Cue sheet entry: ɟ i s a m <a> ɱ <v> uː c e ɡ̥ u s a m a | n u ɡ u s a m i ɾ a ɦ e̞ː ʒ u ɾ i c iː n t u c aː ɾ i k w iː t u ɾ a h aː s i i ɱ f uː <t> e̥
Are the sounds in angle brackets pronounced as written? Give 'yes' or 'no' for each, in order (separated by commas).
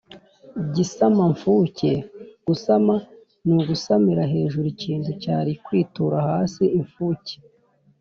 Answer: yes, no, no